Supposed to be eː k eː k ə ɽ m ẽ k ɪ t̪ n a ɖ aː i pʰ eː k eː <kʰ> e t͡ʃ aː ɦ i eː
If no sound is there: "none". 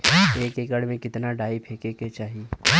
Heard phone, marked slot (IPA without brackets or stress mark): k